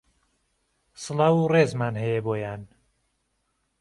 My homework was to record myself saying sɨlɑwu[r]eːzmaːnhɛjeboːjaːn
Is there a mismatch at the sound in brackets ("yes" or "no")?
no